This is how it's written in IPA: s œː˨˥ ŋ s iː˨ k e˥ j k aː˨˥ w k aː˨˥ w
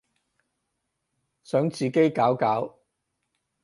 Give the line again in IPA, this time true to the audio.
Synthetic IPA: s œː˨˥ ŋ t͡s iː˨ k e˥ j k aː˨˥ w k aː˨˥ w